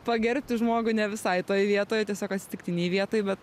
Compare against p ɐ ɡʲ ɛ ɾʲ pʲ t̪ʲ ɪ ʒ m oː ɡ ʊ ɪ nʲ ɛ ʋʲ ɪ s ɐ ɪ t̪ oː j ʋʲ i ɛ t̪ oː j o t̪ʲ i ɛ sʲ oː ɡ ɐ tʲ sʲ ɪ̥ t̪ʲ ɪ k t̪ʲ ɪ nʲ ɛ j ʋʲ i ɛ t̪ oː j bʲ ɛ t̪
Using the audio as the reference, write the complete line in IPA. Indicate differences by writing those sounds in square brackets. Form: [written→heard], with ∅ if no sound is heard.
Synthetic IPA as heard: p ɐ ɡʲ ɛ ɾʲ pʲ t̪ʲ ɪ ʒ m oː ɡ ʊ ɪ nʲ ɛ ʋʲ ɪ s ɐ ɪ t̪ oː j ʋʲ i ɛ t̪ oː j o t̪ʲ i ɛ sʲ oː [ɡ→k] ɐ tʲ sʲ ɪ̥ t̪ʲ ɪ k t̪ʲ ɪ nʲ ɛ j ʋʲ i ɛ t̪ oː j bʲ ɛ t̪

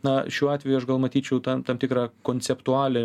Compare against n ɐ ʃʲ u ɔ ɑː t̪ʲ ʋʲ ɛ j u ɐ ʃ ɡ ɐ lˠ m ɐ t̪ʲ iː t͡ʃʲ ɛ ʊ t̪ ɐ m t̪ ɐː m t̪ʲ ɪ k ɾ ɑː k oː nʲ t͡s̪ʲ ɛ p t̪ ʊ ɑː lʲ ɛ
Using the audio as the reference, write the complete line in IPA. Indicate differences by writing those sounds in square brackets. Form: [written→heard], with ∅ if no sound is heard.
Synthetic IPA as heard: n ɐ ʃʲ u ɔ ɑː t̪ʲ ʋʲ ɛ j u ɐ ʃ ɡ ɐ lˠ m ɐ t̪ʲ iː t͡ʃʲ ɛ ʊ t̪ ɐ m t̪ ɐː m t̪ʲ ɪ k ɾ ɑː k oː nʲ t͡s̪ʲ ɛ p t̪ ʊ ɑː lʲ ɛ

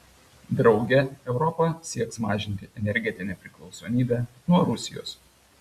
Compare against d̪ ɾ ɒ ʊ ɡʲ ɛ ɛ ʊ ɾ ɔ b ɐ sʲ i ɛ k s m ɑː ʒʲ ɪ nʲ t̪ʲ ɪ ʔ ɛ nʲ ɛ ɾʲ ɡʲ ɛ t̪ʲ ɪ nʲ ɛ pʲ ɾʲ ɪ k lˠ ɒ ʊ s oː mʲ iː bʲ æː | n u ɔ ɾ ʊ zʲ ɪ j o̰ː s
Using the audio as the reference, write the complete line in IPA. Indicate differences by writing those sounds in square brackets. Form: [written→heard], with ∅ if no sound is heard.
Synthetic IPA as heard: d̪ ɾ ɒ ʊ ɡʲ ɛ ɛ ʊ ɾ ɔ [b→p] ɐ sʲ i ɛ k s m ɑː ʒʲ ɪ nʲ t̪ʲ ɪ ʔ ɛ nʲ ɛ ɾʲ ɡʲ ɛ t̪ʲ ɪ nʲ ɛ pʲ ɾʲ ɪ k lˠ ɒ ʊ s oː mʲ iː bʲ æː | n u ɔ ɾ ʊ [zʲ→sʲ] ɪ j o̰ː s

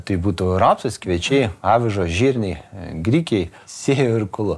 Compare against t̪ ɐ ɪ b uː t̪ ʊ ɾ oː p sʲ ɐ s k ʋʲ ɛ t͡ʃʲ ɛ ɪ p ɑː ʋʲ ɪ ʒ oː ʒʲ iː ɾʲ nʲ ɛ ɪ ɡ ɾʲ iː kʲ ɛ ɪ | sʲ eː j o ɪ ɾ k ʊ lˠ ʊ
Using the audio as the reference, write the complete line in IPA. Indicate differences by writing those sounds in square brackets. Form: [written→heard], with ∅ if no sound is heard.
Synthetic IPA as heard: t̪ ɐ ɪ b uː t̪ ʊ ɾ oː p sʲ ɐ s k ʋʲ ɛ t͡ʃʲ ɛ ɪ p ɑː ʋʲ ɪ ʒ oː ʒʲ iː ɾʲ nʲ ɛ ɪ ɡ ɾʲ iː kʲ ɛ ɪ | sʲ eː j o ɪ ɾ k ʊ lˠ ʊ

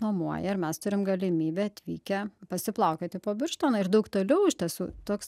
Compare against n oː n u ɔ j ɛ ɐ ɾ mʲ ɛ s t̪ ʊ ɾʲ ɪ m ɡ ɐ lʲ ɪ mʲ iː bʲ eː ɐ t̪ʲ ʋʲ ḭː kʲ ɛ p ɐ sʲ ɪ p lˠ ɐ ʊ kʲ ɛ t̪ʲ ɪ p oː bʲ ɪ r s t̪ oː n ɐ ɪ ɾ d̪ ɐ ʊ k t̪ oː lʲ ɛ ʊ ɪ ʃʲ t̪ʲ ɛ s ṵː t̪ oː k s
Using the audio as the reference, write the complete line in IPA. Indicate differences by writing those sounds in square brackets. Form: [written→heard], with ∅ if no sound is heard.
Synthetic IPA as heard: n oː [n→m] u ɔ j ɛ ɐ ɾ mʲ ɛ s t̪ ʊ ɾʲ ɪ m ɡ ɐ lʲ ɪ mʲ iː bʲ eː ɐ t̪ʲ ʋʲ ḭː kʲ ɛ p ɐ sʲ ɪ p lˠ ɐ ʊ kʲ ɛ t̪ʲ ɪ p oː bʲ ɪ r [s→ʃ] t̪ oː n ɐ ɪ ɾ d̪ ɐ ʊ k t̪ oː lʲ ɛ ʊ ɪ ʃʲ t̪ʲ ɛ s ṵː t̪ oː k s

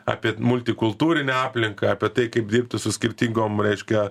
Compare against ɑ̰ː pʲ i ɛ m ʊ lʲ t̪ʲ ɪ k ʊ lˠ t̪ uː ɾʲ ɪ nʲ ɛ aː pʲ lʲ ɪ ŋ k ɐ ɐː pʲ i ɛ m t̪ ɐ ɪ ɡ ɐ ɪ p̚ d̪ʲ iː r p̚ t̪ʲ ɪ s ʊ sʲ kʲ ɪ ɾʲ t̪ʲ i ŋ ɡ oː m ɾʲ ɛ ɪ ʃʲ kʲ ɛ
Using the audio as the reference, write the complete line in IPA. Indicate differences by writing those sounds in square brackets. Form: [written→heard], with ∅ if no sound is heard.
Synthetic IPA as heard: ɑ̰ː pʲ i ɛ m ʊ lʲ t̪ʲ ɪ k ʊ lˠ t̪ uː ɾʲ ɪ nʲ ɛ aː pʲ lʲ ɪ ŋ k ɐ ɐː pʲ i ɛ [m→∅] t̪ ɐ ɪ [ɡ→k] ɐ ɪ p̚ d̪ʲ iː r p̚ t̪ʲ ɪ s ʊ sʲ kʲ ɪ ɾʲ t̪ʲ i ŋ ɡ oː m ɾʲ ɛ ɪ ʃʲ kʲ ɛ

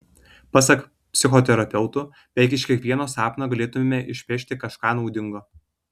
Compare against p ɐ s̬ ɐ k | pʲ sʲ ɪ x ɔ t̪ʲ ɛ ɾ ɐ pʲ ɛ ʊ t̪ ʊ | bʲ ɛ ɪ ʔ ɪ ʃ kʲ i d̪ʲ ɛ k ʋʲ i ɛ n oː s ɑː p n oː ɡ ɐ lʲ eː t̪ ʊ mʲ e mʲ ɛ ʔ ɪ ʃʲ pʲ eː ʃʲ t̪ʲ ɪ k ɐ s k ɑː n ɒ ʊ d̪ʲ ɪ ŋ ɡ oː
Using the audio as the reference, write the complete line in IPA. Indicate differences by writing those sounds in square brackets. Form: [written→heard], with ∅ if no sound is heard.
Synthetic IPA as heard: p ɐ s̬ ɐ k | pʲ sʲ ɪ x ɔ t̪ʲ ɛ ɾ ɐ pʲ ɛ ʊ t̪ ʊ | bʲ ɛ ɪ [ʔ→k] ɪ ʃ kʲ i [d̪ʲ→∅] ɛ k ʋʲ i ɛ n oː s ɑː p n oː ɡ ɐ lʲ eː t̪ ʊ mʲ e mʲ ɛ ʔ ɪ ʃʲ pʲ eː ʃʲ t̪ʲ ɪ k ɐ [s→ʃ] k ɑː n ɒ ʊ d̪ʲ ɪ ŋ ɡ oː

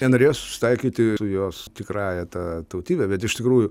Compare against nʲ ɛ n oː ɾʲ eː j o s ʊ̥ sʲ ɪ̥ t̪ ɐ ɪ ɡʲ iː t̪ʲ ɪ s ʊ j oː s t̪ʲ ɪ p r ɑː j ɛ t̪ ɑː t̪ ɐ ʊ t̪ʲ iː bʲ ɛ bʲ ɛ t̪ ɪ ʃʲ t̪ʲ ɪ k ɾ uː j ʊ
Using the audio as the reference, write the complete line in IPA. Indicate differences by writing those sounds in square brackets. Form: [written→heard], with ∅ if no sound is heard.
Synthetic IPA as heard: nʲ ɛ n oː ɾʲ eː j o s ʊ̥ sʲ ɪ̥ t̪ ɐ ɪ [ɡʲ→kʲ] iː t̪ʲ ɪ s ʊ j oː s t̪ʲ ɪ [p→k] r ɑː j ɛ t̪ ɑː t̪ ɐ ʊ t̪ʲ iː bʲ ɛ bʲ ɛ t̪ ɪ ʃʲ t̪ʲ ɪ k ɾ uː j ʊ

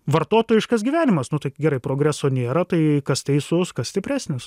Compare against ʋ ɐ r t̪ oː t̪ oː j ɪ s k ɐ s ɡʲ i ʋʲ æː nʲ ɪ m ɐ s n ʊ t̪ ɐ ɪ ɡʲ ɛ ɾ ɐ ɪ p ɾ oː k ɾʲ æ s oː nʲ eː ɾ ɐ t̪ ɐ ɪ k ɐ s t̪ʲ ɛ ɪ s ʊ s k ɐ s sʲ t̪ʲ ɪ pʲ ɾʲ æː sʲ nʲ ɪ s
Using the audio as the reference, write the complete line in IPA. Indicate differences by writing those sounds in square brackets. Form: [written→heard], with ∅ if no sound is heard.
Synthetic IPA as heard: ʋ ɐ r t̪ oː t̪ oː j ɪ [s→ʃ] k ɐ s ɡʲ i ʋʲ æː nʲ ɪ m ɐ s n ʊ t̪ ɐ ɪ ɡʲ ɛ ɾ ɐ ɪ p ɾ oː [k→ɡ] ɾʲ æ s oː nʲ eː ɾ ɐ t̪ ɐ ɪ k ɐ s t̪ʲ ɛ ɪ s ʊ s k ɐ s sʲ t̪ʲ ɪ pʲ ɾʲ æː sʲ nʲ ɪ s

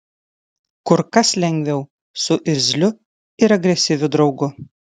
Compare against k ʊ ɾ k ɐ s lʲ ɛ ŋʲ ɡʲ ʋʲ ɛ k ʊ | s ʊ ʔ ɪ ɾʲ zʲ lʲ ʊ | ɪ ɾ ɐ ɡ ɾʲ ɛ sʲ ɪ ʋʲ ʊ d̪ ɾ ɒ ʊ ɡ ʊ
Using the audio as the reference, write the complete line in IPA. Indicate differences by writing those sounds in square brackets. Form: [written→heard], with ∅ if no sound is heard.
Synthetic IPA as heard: k ʊ ɾ k ɐ s lʲ ɛ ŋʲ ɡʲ ʋʲ ɛ [k→∅] ʊ | s ʊ ʔ ɪ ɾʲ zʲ lʲ ʊ | ɪ ɾ ɐ ɡ ɾʲ ɛ sʲ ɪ ʋʲ ʊ d̪ ɾ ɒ ʊ ɡ ʊ

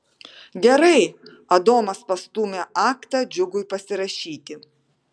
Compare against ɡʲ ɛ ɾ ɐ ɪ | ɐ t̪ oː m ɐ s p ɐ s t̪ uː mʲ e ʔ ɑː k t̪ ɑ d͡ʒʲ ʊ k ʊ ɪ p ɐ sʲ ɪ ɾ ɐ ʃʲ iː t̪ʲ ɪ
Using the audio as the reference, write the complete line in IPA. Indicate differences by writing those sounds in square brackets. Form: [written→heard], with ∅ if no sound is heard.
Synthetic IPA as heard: ɡʲ ɛ ɾ ɐ ɪ | ɐ [t̪→d̪] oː m ɐ s p ɐ s t̪ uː mʲ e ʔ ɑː k t̪ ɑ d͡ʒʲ ʊ [k→ɡ] ʊ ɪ p ɐ sʲ ɪ ɾ ɐ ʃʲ iː t̪ʲ ɪ

